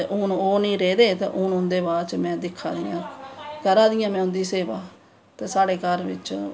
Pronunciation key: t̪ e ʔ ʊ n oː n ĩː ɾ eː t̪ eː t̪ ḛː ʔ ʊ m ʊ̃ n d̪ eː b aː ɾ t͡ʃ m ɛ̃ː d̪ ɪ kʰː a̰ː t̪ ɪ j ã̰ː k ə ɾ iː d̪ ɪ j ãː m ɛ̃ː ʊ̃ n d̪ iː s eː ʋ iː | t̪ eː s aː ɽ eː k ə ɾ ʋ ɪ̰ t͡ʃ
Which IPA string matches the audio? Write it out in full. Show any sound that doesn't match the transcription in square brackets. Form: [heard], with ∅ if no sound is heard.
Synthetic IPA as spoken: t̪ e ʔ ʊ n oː n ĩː ɾ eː [d̪] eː t̪ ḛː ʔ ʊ [n] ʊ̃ n d̪ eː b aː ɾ t͡ʃ m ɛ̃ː d̪ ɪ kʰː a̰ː [d̪] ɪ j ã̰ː k ə ɾ [aː] d̪ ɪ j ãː m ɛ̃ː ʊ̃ n d̪ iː s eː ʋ [aː] | t̪ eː s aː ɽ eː k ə ɾ ʋ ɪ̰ t͡ʃ